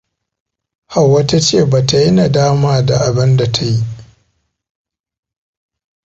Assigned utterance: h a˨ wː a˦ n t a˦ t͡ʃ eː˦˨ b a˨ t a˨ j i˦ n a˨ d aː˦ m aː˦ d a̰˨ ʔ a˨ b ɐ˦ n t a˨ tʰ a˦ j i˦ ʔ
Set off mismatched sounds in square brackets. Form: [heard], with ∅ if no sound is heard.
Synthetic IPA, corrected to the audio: h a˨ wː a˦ [∅] t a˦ t͡ʃ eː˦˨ b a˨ t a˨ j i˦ n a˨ d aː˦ m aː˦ d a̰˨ ʔ a˨ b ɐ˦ n [d] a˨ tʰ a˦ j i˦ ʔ

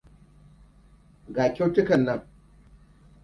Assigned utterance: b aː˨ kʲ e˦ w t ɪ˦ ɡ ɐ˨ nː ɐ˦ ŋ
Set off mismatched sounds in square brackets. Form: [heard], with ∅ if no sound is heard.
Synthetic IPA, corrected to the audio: [ɡ] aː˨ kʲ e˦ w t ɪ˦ [k] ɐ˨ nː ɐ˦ ŋ

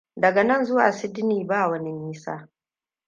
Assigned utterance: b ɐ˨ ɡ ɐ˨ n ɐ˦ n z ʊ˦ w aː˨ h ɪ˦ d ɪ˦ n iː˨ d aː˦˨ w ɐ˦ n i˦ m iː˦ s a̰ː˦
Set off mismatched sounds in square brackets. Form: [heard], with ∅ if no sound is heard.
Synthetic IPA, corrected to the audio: [d] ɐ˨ ɡ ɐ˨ n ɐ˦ n z ʊ˦ w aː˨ [s] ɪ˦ d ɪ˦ n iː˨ [b] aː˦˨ w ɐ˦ n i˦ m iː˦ s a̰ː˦

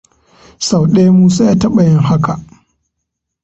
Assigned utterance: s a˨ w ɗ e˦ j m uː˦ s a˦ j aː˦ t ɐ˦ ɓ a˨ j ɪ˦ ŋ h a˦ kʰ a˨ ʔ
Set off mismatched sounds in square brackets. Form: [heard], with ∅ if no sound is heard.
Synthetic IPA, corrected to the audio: s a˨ w ɗ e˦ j m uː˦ s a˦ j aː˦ t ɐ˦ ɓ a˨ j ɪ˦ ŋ h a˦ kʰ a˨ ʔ

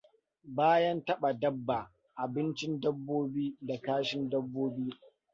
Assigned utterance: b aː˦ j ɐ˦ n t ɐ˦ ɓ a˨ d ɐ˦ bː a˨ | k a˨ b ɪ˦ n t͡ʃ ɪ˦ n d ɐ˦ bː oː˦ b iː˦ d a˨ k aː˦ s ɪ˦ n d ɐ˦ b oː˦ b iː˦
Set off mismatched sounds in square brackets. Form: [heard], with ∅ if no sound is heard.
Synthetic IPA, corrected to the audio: b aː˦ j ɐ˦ n t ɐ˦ ɓ a˨ d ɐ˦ bː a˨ | [ʔ] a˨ b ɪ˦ n t͡ʃ ɪ˦ n d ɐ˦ bː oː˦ b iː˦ d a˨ k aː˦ [ʃ] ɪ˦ n d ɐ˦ [bː] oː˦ b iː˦

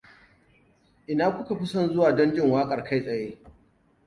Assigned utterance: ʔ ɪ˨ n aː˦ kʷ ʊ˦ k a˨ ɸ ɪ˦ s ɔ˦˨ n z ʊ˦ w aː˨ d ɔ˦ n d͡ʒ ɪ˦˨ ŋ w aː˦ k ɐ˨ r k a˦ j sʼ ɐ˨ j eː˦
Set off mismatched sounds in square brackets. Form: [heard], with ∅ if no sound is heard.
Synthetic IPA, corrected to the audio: ʔ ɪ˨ n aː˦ kʷ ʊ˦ k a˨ ɸ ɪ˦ s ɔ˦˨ n z ʊ˦ w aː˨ d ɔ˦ n d͡ʒ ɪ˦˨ ŋ w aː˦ [kʼ] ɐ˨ r k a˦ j sʼ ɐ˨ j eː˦

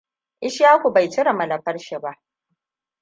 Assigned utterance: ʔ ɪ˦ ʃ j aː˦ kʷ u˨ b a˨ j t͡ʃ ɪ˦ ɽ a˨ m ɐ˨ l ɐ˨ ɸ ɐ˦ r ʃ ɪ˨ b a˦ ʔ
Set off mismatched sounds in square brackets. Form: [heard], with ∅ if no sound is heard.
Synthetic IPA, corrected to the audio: ʔ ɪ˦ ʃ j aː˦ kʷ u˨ b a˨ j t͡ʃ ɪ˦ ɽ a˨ m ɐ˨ l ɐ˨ ɸ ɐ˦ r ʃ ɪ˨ b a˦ ʔ

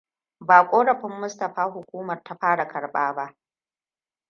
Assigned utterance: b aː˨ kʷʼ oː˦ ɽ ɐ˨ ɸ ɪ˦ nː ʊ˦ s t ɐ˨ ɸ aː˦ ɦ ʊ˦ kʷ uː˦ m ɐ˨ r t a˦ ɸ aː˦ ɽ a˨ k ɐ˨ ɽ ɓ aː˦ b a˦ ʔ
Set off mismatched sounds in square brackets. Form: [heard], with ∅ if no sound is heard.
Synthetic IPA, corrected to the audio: b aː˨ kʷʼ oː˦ ɽ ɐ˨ ɸ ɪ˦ [mː] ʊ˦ s t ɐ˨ ɸ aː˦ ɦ [ʊ˨] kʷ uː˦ m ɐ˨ r t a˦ ɸ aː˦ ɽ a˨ k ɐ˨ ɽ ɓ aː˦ b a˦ ʔ

